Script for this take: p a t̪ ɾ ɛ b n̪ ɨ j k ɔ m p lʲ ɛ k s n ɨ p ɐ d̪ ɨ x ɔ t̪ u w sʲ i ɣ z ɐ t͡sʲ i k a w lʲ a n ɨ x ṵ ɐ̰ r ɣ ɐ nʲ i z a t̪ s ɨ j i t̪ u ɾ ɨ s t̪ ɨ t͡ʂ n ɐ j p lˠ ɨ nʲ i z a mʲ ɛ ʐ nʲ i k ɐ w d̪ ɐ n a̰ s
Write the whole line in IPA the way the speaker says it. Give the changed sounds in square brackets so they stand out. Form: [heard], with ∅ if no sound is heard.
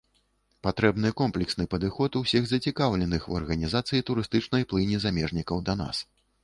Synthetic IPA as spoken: p a t̪ ɾ ɛ b n̪ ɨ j k ɔ m p lʲ ɛ k s n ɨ p ɐ d̪ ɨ x ɔ t̪ u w sʲ i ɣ z ɐ t͡sʲ i k a w lʲ [ɛ] n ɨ x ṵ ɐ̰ r ɣ ɐ nʲ i z a t̪ s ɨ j i t̪ u ɾ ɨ s t̪ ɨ t͡ʂ n ɐ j p lˠ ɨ nʲ i z a mʲ ɛ ʐ nʲ i k ɐ w d̪ ɐ n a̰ s